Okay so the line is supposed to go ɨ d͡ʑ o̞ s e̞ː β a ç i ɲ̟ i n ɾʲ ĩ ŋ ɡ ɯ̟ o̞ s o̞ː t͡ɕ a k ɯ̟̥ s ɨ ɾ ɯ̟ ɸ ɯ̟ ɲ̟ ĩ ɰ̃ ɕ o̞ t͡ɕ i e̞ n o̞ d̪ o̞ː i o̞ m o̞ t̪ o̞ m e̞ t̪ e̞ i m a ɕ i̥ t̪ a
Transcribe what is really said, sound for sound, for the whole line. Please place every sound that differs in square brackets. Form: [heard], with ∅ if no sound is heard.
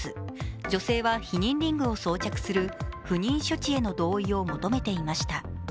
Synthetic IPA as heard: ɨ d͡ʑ o̞ s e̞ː β a ç i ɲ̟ [ĩ] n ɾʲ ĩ ŋ ɡ ɯ̟ o̞ s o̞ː t͡ɕ a k ɯ̟̥ s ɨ ɾ ɯ̟ ɸ ɯ̟ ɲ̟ ĩ ɰ̃ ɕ o̞ t͡ɕ i e̞ n o̞ d̪ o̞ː i o̞ m o̞ t̪ o̞ m e̞ t̪ e̞ i m a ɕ i̥ t̪ a

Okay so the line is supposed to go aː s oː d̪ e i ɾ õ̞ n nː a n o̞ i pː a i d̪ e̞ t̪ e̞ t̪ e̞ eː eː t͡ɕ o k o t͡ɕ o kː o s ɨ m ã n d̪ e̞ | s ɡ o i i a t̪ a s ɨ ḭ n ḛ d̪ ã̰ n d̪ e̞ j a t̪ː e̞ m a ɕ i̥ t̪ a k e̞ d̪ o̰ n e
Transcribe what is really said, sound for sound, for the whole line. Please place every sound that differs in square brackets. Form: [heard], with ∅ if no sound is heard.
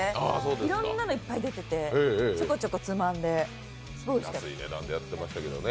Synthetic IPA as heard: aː s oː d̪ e i ɾ õ̞ n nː a n o̞ i pː a i d̪ e̞ t̪ e̞ t̪ e̞ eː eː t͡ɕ o k o t͡ɕ o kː o [t͡s] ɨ m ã n d̪ e̞ | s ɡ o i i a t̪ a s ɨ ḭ n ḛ d̪ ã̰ n d̪ e̞ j a t̪ː e̞ m a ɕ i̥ t̪ a k e̞ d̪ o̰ n e

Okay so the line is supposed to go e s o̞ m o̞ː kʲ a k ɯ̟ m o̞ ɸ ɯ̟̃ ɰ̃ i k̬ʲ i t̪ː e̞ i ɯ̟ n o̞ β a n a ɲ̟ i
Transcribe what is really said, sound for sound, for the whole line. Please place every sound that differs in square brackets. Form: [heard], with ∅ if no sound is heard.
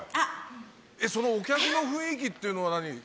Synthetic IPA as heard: e s o̞ [n] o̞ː kʲ a k ɯ̟ [n] o̞ ɸ ɯ̟̃ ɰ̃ i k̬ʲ i t̪ː e̞ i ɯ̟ n o̞ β a n a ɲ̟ i

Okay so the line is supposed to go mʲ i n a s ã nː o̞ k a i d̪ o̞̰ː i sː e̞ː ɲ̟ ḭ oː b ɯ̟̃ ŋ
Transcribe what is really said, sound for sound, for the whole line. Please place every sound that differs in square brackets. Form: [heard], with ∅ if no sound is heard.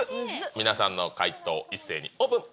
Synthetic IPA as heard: mʲ i n a s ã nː o̞ k a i [t̪] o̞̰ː i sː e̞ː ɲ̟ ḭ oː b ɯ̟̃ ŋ

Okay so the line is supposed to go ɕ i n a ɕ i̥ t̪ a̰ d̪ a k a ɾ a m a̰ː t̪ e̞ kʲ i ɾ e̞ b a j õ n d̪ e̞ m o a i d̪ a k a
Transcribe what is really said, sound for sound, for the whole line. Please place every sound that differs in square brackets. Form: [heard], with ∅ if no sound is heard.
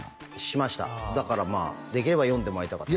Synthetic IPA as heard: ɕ i [m] a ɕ i̥ t̪ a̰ d̪ a k a ɾ a m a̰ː [d̪] e̞ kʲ i ɾ e̞ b a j õ n d̪ e̞ m o a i [t̪] a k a

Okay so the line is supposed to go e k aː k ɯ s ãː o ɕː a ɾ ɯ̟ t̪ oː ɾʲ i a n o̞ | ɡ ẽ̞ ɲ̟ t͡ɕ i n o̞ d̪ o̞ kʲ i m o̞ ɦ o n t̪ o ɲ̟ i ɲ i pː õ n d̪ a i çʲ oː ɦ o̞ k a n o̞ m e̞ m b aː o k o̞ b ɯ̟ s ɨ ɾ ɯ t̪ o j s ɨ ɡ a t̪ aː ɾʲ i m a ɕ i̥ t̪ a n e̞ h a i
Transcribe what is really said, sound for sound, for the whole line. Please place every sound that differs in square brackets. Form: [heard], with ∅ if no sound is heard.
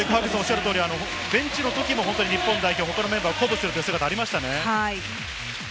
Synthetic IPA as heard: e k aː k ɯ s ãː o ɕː a ɾ ɯ̟ t̪ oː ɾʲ i a n o̞ | [b] ẽ̞ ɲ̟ t͡ɕ i n o̞ [t̪] o̞ kʲ i m o̞ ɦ o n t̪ o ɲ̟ i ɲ i pː õ n d̪ a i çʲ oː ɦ o̞ k a n o̞ m e̞ m b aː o k o̞ b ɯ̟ s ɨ ɾ ɯ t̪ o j s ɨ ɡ a t̪ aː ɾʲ i m a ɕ i̥ t̪ a n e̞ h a i

